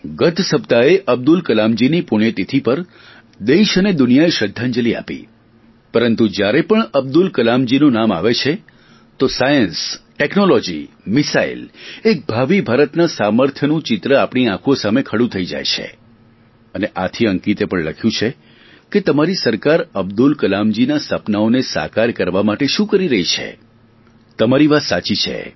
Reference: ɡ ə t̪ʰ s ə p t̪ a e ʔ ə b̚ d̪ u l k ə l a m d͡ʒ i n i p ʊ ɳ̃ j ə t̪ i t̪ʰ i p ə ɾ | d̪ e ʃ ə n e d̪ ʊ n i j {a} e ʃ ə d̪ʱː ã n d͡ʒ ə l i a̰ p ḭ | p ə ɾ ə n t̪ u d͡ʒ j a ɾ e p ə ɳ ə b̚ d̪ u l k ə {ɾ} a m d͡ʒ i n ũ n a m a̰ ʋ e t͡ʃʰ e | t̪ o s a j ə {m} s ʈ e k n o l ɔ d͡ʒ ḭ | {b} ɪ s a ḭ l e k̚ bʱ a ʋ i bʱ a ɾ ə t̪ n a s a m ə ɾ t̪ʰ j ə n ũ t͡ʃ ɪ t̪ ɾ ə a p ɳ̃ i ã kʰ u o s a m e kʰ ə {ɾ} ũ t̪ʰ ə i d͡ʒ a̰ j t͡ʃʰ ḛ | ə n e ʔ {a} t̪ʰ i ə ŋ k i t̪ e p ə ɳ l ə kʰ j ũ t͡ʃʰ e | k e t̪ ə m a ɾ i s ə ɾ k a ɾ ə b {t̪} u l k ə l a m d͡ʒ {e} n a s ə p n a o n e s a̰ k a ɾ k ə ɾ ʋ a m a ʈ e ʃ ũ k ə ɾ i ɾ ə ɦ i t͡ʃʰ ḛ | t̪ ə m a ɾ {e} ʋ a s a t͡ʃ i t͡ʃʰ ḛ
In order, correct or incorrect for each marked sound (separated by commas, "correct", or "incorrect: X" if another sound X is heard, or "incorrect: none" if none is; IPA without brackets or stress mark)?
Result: correct, incorrect: l, incorrect: n, incorrect: m, incorrect: ɽ, correct, incorrect: d̪, incorrect: i, incorrect: i